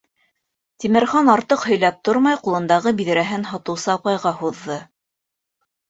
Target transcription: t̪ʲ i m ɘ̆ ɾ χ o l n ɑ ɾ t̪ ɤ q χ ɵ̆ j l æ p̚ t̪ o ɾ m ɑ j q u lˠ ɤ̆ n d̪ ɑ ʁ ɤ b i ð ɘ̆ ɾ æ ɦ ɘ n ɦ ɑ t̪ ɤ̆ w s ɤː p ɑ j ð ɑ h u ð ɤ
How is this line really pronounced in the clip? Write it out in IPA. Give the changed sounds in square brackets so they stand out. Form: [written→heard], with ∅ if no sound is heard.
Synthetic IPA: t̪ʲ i m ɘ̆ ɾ χ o [l→∅] n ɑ ɾ t̪ ɤ q [χ→h] ɵ̆ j l æ p̚ t̪ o ɾ m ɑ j q u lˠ ɤ̆ n d̪ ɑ ʁ ɤ b i ð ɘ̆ ɾ æ ɦ ɘ n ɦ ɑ t̪ ɤ̆ w s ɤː p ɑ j [ð→ʁ] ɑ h u [ð→ðː] ɤ